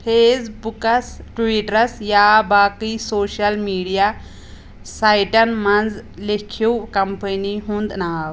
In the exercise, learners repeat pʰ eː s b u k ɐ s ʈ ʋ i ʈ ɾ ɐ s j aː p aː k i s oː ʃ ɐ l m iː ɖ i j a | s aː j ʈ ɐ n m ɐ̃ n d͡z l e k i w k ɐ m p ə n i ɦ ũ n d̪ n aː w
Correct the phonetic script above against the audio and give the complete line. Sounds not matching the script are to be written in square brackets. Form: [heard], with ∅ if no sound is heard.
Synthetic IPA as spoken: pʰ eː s b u k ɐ s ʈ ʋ i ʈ ɾ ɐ s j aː [b] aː k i s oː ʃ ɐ l m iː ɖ i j a | s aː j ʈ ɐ n m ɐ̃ n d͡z l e [kʰ] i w k ɐ m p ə n i ɦ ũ n d̪ n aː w